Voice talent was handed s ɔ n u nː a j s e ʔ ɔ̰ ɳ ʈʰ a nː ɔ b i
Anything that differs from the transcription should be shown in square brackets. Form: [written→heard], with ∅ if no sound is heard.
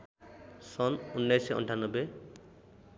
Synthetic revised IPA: s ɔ n u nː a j s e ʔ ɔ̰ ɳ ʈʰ a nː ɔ b [i→e]